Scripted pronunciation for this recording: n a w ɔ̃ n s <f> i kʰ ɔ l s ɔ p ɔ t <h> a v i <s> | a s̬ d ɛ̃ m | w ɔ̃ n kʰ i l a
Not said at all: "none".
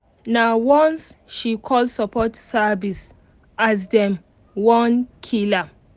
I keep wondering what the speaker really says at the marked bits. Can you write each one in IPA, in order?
ʃ, s, s

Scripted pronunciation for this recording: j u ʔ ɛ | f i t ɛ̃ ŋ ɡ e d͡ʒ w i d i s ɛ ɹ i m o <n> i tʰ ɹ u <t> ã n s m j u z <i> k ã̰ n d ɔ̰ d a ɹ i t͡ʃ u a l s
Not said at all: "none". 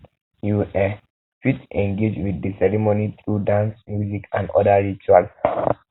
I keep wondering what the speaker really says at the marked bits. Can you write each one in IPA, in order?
n, d, i

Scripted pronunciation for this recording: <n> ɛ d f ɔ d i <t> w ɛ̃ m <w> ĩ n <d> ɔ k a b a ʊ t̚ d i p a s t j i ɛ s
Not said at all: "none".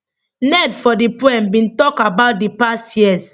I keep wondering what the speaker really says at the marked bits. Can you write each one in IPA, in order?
n, p, b, t

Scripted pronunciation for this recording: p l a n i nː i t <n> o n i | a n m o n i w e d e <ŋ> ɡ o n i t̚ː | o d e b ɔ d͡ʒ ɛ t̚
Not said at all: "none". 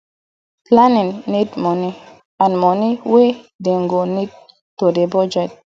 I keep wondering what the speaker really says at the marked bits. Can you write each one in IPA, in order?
m, ŋ

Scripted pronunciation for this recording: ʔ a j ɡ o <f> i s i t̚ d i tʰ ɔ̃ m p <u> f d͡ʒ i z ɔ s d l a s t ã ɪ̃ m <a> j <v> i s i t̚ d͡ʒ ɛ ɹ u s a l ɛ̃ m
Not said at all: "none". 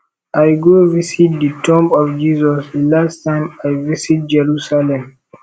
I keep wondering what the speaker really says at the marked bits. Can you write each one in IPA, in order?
v, ɔ, a, v

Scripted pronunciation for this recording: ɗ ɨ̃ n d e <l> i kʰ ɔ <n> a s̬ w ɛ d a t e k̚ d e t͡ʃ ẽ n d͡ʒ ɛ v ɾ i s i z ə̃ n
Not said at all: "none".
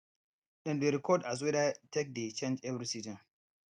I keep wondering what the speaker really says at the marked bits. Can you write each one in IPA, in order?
ɾ, d

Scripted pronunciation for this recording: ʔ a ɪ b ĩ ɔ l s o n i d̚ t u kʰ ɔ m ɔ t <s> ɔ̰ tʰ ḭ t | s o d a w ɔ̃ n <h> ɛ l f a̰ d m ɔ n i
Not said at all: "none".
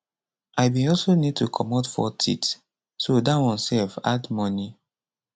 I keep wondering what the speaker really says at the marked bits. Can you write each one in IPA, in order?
f, s

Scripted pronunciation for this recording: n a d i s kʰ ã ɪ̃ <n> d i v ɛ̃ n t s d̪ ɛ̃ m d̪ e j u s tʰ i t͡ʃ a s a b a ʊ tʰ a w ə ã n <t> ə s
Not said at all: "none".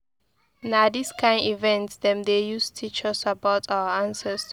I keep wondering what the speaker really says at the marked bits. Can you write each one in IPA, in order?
n, s

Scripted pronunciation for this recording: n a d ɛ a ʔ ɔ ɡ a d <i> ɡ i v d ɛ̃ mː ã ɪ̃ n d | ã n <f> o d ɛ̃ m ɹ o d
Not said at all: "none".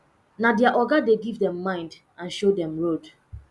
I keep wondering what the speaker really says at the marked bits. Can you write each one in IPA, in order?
e, ʃ

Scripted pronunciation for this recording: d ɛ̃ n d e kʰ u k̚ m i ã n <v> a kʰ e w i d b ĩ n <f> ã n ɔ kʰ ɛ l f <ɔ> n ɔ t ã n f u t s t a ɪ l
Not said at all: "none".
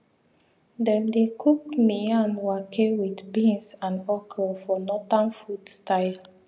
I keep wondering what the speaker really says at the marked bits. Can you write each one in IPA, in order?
w, s, ɔ

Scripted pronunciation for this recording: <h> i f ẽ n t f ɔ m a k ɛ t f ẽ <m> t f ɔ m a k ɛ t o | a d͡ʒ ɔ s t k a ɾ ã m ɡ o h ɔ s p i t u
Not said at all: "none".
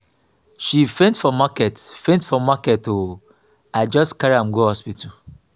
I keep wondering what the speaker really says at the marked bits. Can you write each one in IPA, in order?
ʃ, n

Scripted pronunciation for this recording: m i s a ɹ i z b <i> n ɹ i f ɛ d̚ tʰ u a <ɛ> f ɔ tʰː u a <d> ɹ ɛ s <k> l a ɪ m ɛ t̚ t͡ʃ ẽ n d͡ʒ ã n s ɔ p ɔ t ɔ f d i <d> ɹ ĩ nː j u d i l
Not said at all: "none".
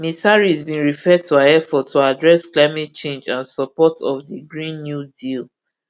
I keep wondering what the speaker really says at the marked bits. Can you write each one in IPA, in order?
ĩ, ɛ, d, k, ɡ

